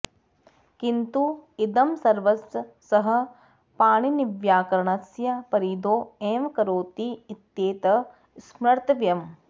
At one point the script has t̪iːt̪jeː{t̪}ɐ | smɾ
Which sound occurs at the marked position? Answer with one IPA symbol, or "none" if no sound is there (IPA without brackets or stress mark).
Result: t̪